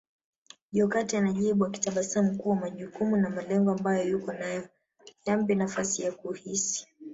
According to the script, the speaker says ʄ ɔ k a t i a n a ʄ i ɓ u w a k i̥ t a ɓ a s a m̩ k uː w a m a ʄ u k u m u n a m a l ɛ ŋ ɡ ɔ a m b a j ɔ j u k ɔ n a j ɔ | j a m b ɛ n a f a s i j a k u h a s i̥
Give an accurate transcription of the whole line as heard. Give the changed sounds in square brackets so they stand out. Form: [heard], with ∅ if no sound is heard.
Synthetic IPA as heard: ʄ ɔ k a t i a n a ʄ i ɓ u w a k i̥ t a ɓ a s a m̩ k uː w a m a ʄ u k u m u n a m a l ɛ ŋ ɡ ɔ a m b a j ɔ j u k ɔ n a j ɔ | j a m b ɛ n a f a s i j a k u h [i] s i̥